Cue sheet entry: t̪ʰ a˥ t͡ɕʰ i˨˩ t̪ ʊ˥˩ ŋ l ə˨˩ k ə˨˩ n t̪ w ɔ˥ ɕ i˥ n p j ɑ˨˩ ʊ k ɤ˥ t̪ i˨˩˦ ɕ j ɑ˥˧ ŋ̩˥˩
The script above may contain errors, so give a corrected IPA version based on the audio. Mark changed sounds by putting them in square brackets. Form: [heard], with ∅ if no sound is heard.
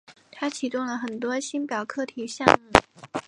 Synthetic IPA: t̪ʰ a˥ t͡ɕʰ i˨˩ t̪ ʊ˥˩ ŋ l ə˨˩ [x] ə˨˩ n t̪ w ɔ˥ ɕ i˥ n p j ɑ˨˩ ʊ [kʰ] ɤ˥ [t̪ʰ] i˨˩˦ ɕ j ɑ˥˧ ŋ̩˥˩